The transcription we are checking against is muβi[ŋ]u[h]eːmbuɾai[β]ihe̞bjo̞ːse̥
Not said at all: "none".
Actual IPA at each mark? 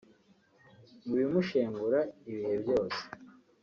m, ʃ, β

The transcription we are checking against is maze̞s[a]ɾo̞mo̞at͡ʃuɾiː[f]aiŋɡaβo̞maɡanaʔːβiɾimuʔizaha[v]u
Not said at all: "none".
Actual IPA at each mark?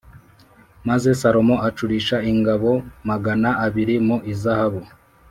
a, ʃ, β

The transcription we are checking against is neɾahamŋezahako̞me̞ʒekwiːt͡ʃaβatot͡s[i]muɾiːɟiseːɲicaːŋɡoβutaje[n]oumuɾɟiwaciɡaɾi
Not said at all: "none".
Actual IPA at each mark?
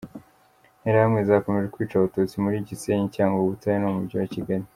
i, n

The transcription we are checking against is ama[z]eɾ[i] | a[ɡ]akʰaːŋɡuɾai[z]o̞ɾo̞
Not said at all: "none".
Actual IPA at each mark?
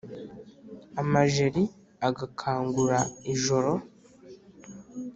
ʒ, i, ɡ, ʒ

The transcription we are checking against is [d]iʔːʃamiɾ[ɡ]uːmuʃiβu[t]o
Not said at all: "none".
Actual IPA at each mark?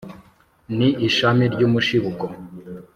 n, ɟ, k

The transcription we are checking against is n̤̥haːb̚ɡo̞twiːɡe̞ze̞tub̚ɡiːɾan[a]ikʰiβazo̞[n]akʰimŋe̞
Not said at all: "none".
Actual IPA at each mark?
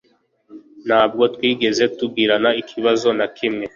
a, n

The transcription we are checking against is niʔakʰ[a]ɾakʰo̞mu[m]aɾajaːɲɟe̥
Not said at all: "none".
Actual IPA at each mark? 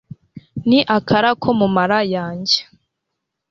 a, m

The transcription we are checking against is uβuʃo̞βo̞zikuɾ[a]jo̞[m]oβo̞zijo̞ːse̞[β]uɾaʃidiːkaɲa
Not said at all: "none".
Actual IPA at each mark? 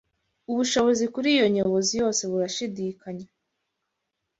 i, ɲ, β

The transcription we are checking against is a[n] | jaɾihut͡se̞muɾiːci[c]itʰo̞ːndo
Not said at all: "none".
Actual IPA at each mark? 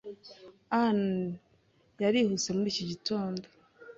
n, ɟ

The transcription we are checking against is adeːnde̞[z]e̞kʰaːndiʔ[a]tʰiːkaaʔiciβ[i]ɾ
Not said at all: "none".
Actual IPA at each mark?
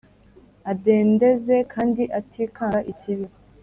z, a, i

